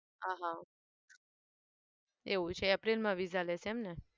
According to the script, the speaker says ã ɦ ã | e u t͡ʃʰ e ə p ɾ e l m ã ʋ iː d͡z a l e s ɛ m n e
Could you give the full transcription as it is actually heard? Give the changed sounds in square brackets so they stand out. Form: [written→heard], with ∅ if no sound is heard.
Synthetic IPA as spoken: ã ɦ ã | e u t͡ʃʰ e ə p ɾ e l m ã ʋ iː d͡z a l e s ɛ m n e